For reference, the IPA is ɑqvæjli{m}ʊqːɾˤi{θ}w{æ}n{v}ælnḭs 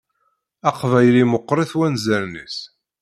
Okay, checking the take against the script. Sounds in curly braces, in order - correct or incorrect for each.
correct, correct, correct, incorrect

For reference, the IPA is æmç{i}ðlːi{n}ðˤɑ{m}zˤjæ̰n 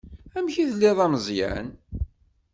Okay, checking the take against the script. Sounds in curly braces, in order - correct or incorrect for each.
correct, incorrect, correct

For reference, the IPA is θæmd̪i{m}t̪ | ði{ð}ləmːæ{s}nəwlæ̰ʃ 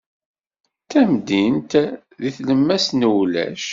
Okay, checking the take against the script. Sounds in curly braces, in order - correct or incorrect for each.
incorrect, incorrect, correct

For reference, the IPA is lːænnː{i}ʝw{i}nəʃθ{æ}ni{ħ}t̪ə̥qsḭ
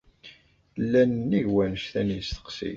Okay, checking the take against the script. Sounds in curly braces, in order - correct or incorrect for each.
correct, incorrect, correct, incorrect

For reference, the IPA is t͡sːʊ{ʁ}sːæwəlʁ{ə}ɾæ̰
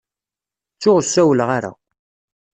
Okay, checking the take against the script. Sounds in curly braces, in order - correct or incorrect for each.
correct, incorrect

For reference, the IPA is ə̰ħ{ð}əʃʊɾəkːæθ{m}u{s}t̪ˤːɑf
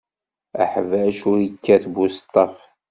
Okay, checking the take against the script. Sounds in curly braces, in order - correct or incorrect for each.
incorrect, incorrect, correct

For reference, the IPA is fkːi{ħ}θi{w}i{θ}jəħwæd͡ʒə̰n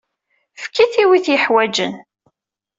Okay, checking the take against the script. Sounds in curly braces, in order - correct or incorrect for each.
incorrect, correct, correct

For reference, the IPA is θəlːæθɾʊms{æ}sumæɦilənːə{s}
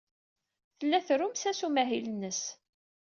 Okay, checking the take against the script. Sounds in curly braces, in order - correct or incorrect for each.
correct, correct

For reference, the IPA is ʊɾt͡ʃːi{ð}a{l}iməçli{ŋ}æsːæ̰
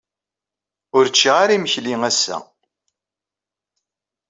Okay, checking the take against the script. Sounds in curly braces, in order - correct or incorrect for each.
incorrect, incorrect, correct

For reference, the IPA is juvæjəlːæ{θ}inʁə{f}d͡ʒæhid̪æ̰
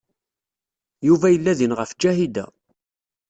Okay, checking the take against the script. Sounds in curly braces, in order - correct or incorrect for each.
incorrect, correct

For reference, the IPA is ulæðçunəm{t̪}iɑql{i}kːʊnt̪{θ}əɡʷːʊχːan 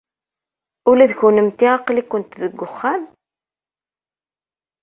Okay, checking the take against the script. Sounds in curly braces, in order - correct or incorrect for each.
correct, correct, incorrect

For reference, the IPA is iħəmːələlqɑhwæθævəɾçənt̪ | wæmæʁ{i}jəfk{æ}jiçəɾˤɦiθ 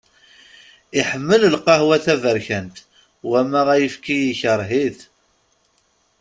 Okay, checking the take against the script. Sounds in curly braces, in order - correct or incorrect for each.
incorrect, incorrect

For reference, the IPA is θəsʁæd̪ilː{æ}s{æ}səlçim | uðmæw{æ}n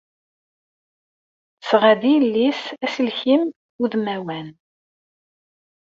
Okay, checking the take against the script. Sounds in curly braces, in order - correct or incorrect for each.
incorrect, correct, correct

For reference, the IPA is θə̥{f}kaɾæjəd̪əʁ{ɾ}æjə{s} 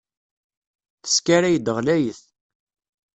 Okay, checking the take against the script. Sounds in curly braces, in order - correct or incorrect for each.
incorrect, incorrect, incorrect

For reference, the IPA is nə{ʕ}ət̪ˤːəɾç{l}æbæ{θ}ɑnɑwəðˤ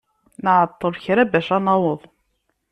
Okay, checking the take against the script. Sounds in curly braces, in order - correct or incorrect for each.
correct, incorrect, incorrect

